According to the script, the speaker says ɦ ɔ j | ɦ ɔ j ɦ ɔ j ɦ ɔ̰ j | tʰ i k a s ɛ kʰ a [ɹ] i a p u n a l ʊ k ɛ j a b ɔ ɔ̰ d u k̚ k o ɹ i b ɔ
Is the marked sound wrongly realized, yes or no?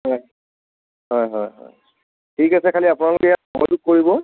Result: yes